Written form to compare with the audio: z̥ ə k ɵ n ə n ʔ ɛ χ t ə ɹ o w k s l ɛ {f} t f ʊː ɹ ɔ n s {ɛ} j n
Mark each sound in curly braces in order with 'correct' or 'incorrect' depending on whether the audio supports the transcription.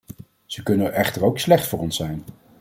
incorrect: χ, correct

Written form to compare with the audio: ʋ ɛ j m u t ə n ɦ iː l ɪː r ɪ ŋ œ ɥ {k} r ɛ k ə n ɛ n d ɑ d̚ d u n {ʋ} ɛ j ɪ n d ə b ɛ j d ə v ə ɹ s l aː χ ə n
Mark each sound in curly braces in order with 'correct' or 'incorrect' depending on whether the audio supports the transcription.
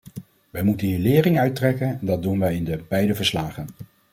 incorrect: t, correct

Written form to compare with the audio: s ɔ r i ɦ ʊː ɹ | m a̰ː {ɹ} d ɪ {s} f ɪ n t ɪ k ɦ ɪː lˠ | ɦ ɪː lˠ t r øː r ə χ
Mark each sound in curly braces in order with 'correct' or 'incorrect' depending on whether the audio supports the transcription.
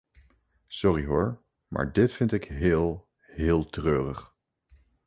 correct, incorrect: t

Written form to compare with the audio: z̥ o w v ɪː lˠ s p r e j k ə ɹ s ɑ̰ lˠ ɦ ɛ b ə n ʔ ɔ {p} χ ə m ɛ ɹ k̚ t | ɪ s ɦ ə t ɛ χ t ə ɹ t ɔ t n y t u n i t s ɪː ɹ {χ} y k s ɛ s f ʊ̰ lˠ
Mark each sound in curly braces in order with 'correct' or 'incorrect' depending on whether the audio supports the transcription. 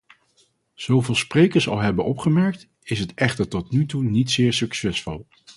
correct, incorrect: s

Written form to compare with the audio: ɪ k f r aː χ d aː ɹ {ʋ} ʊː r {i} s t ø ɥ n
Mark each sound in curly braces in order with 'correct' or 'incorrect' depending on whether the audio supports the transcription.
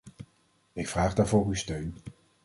incorrect: v, incorrect: y

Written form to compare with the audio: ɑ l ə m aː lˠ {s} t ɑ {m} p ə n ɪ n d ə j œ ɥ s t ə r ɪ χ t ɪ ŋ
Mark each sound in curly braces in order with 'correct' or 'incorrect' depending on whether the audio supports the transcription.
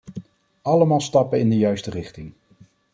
correct, incorrect: none

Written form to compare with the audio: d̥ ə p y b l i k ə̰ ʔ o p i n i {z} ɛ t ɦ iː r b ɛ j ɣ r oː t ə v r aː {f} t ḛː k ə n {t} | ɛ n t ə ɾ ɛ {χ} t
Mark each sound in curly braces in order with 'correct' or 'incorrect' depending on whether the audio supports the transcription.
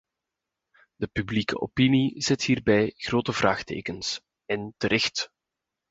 correct, incorrect: x, incorrect: s, incorrect: x

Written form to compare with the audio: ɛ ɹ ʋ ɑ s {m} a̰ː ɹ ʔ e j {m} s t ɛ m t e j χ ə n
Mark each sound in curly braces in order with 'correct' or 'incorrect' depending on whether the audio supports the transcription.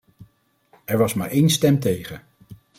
correct, incorrect: n

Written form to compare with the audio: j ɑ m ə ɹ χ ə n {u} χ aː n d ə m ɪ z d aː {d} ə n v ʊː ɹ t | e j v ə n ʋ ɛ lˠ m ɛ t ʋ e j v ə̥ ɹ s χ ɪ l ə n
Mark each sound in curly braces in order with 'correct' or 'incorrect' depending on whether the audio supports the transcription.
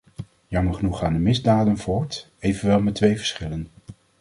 correct, correct

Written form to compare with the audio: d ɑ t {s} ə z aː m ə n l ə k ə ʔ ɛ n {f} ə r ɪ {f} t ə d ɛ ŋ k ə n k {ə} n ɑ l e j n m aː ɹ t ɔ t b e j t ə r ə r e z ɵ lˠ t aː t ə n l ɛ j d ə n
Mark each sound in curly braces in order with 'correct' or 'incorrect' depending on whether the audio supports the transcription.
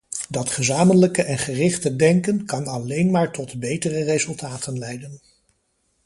incorrect: χ, incorrect: χ, incorrect: χ, incorrect: ɑ

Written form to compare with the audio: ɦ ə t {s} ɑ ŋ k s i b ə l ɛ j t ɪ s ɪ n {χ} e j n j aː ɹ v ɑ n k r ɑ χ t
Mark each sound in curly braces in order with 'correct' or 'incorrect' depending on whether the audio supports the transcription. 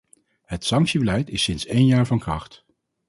correct, incorrect: s

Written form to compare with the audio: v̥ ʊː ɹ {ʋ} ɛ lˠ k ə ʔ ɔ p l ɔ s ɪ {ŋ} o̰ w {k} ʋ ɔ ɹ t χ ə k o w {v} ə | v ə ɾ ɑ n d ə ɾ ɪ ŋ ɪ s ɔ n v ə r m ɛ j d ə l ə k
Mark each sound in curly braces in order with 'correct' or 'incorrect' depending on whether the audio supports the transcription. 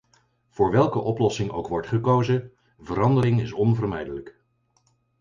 correct, correct, correct, incorrect: z

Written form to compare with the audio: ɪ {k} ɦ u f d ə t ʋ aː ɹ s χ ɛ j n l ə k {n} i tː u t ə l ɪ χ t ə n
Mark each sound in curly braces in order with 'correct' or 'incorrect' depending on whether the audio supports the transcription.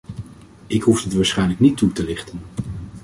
correct, correct

